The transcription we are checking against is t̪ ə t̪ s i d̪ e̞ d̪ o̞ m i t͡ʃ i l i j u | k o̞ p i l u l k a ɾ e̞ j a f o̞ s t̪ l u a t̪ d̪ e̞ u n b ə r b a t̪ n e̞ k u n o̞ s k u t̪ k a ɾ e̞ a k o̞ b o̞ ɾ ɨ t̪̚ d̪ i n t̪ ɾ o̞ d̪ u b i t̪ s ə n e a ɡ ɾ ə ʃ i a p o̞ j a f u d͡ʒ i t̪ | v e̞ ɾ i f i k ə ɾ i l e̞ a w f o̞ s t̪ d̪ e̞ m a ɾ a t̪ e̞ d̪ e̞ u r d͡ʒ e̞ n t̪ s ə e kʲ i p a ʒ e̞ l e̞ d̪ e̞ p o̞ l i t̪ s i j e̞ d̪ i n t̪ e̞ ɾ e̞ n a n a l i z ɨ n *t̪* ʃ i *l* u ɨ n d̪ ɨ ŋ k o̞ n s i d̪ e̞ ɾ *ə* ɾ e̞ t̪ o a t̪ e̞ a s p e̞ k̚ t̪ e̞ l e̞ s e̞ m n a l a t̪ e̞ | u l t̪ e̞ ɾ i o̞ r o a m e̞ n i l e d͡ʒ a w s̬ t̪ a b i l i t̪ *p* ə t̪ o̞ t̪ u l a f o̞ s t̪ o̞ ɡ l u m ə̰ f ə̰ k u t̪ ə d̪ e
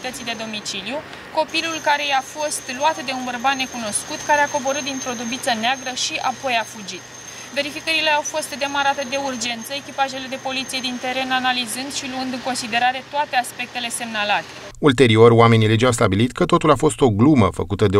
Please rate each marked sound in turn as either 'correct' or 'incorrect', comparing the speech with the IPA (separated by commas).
incorrect, correct, incorrect, incorrect